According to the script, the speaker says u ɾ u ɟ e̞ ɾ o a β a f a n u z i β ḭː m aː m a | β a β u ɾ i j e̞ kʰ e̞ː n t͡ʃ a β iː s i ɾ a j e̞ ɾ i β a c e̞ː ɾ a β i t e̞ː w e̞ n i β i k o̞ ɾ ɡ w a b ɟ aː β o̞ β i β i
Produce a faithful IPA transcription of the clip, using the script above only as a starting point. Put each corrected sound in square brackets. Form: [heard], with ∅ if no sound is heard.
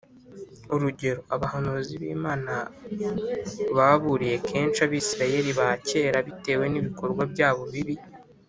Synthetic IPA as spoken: u ɾ u ɟ e̞ ɾ o a β a [h] a n u z i β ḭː m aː [n] a | β a β u ɾ i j e̞ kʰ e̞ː n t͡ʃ a β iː s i ɾ a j e̞ ɾ i β a c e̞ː ɾ a β i t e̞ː w e̞ n i β i k o̞ ɾ ɡ w a b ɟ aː β o̞ β i β i